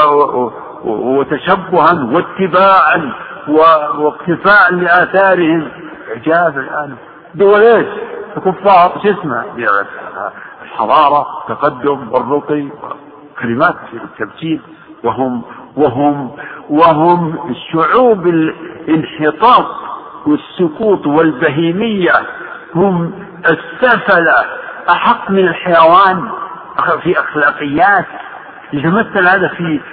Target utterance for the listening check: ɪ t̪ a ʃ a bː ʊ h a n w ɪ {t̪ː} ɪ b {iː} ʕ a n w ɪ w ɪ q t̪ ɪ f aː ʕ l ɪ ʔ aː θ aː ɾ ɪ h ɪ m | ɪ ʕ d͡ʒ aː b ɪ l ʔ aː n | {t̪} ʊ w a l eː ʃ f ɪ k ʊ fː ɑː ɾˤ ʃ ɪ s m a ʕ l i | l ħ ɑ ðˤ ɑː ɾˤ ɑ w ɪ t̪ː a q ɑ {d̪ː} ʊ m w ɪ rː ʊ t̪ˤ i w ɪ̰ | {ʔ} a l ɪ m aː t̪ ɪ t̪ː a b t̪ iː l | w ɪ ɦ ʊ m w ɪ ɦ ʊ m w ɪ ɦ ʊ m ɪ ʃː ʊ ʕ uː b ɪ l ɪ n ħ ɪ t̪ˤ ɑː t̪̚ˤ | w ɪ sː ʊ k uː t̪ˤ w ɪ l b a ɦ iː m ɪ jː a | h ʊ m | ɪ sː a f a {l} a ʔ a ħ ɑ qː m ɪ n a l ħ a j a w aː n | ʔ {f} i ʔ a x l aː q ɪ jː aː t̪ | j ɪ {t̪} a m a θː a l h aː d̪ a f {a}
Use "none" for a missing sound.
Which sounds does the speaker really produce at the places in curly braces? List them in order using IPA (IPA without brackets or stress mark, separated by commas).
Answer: t̪ː, aː, d̪, d̪ː, k, l, f, t̪, i